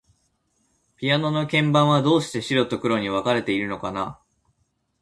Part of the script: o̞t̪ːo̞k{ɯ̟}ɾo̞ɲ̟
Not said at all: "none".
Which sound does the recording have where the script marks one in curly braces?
ɯ̟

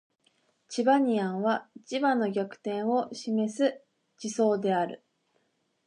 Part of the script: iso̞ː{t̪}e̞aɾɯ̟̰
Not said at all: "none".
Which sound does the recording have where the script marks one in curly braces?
d̪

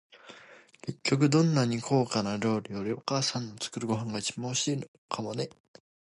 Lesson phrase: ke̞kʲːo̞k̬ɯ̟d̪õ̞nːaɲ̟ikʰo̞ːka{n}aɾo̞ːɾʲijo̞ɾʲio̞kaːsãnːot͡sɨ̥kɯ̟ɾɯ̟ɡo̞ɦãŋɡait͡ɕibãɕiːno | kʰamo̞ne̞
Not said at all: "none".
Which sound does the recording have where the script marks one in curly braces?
n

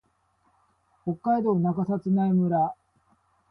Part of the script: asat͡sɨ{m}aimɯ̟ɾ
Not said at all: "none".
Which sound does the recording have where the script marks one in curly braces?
n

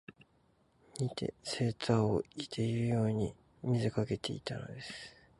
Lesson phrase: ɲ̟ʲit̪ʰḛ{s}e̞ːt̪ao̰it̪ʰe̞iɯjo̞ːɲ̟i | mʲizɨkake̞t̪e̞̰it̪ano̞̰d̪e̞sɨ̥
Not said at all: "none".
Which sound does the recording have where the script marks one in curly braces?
s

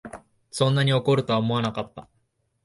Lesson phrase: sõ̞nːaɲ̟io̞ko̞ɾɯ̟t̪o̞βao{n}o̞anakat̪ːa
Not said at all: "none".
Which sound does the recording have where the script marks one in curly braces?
m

